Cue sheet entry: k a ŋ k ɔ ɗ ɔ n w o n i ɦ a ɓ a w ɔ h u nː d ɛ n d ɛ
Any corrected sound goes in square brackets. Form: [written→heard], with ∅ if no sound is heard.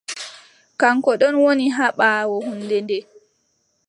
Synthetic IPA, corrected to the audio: k a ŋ k ɔ ɗ ɔ n w o n i ɦ a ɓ a w ɔ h u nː d ɛ n d ɛ